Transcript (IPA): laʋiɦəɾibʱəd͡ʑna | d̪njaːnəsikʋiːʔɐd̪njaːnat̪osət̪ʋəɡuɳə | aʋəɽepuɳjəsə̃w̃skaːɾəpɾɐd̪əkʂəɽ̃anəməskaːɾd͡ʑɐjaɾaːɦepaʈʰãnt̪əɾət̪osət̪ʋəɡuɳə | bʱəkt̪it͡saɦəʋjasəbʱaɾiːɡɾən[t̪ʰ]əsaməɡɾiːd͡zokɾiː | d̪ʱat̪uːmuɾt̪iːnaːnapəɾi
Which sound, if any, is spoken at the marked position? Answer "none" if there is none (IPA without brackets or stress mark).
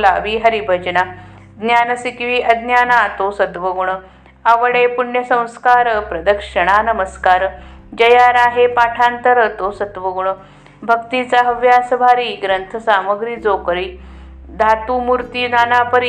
t̪ʰ